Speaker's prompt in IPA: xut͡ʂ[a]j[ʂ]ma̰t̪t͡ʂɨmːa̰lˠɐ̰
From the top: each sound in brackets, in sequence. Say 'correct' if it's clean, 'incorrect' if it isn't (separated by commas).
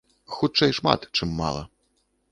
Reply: incorrect, correct